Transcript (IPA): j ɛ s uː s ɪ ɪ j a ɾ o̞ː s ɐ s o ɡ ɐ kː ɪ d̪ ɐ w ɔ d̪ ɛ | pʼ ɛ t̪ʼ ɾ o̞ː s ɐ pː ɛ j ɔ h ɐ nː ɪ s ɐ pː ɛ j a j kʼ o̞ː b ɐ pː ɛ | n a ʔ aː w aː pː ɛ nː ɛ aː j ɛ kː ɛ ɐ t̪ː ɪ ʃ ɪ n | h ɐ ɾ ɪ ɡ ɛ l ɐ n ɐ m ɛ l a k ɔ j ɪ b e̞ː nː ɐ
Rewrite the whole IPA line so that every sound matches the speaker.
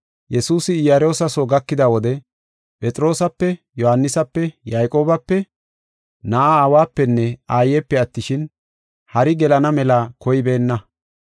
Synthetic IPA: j ɛ s uː s ɪ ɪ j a ɾ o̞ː s ɐ s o ɡ ɐ kː ɪ d̪ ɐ w ɔ d̪ ɛ | pʼ ɛ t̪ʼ ɾ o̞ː s ɐ pː ɛ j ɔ h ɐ nː ɪ s ɐ pː ɛ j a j kʼ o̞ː b ɐ pː ɛ | n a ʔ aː w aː pː ɛ nː ɛ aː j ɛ pː ɛ ɐ t̪ː ɪ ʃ ɪ n | h ɐ ɾ ɪ ɡ ɛ l ɐ n ɐ m ɛ l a k ɔ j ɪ b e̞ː nː ɐ